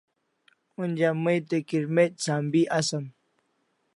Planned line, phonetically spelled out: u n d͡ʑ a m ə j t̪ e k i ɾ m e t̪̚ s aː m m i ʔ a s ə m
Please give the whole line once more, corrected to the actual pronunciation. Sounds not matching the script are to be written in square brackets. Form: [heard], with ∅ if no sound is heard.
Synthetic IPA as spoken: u n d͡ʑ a m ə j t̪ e k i ɾ m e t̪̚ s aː m [b] i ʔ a s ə m